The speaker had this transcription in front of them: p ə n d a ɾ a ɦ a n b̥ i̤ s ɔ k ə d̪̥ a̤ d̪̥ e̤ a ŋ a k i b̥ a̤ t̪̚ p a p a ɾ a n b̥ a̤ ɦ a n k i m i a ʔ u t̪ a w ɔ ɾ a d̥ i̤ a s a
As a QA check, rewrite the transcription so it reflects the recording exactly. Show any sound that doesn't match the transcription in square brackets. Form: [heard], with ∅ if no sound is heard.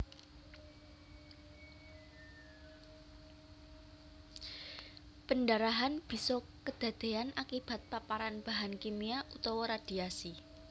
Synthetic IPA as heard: p ə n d a ɾ a ɦ a n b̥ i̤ s ɔ k ə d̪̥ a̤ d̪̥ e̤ a [n] a k i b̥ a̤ t̪̚ p a p a ɾ a n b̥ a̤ ɦ a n k i m i a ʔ u t̪ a w ɔ ɾ a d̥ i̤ a s [i]